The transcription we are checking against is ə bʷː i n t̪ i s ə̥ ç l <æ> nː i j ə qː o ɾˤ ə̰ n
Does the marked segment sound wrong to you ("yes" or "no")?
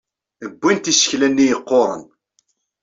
no